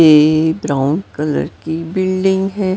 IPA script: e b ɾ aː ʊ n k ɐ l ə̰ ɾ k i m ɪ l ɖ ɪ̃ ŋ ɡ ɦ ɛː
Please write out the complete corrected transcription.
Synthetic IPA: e b ɾ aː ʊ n k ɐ l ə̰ ɾ k i b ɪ l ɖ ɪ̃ ŋ ɡ ɦ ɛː

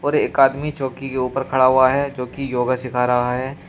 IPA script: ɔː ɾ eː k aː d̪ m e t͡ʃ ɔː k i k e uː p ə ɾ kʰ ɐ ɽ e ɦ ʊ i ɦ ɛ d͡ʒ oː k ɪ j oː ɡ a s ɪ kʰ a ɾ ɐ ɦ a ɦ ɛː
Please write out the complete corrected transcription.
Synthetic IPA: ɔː ɾ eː k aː d̪ m i t͡ʃ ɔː k i k e uː p ə ɾ kʰ ɐ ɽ a ɦ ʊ a ɦ ɛ d͡ʒ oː k i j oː ɡ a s ɪ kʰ a ɾ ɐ ɦ a ɦ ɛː

